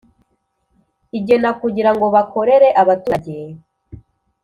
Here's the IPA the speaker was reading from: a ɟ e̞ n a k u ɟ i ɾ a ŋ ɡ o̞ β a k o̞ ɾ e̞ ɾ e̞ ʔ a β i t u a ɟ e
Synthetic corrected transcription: i ɟ e̞ n a k u ɟ i ɾ a ŋ ɡ o̞ β a k o̞ ɾ e̞ ɾ e̞ ʔ a β a t u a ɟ e